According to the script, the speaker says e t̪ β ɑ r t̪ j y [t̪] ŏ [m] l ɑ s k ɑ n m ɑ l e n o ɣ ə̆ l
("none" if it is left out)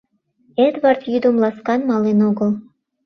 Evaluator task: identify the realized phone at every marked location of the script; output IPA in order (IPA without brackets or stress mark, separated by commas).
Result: d̪, m